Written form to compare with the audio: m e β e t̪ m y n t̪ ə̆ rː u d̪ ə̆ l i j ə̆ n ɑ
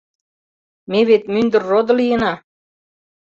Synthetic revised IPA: m e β e t̪ m y n d̪ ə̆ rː o d̪ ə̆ l i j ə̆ n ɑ